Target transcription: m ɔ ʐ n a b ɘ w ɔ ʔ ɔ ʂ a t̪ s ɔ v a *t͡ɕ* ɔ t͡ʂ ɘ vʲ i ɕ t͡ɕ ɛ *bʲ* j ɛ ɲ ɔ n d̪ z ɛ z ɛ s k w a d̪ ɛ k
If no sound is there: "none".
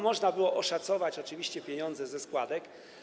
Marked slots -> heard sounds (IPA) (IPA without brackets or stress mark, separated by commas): t͡ɕ, pʲ